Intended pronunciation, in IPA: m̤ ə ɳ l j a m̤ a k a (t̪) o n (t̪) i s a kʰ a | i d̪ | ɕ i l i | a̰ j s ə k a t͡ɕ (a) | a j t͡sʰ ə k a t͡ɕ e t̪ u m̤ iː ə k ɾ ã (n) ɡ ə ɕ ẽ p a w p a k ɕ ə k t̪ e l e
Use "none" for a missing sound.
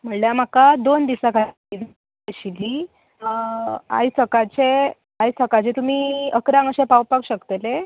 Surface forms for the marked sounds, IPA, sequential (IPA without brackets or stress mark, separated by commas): d̪, d̪, e, ŋ